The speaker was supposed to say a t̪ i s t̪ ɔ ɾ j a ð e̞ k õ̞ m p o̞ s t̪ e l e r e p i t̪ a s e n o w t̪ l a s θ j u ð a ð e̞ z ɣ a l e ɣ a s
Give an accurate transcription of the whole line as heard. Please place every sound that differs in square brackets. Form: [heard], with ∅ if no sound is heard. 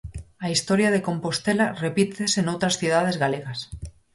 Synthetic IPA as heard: a [∅] i s t̪ [o] ɾ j a ð e̞ k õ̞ m p o̞ s t̪ e l [a] r e p i t̪ [e] s e n o w t̪ [ɾ] a s θ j u ð a ð e̞ z ɣ a l e ɣ a s